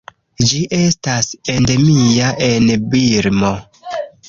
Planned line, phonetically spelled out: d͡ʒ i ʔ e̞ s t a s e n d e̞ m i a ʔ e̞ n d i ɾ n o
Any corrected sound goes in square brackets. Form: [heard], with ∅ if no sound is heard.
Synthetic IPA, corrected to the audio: d͡ʒ i ʔ e̞ s t a s e n d e̞ m i a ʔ e̞ n [b] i ɾ [m] o